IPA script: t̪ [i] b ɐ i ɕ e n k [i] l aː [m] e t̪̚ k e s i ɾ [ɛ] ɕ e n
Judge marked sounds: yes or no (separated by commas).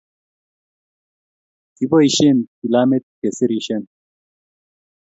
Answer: yes, yes, yes, no